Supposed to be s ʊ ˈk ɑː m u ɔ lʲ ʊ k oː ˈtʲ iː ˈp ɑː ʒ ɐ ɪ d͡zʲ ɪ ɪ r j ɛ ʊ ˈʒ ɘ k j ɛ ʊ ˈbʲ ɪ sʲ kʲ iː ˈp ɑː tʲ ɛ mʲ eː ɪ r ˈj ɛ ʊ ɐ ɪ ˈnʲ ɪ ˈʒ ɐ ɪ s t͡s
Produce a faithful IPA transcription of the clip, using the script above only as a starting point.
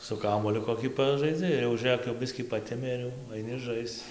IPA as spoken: s ʊ ˈk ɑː m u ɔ lʲ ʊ k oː ˈkʲ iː ˈp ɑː ʒ ɐ ɪ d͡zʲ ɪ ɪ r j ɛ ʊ ˈʒ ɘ k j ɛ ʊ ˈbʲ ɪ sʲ kʲ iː ˈp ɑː tʲ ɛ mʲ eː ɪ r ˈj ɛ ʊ ɐ ɪ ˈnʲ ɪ ˈʒ ɐ ɪ s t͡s